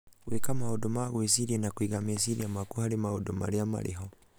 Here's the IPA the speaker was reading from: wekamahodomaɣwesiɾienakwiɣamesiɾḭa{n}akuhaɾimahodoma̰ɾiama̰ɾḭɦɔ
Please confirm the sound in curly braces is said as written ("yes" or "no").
no